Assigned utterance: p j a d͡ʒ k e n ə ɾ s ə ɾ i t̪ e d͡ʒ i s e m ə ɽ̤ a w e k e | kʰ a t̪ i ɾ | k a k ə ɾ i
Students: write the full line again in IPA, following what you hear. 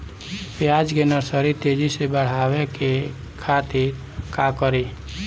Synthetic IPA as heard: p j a d͡ʒ k e n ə ɾ s ə ɾ i t̪ e d͡ʒ i s e b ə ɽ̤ a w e k e | kʰ a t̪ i ɾ | k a k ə ɾ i